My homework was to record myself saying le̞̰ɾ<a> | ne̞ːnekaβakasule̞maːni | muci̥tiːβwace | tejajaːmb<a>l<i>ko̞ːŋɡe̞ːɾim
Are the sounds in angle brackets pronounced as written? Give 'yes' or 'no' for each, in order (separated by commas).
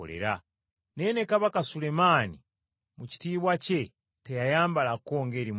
yes, yes, no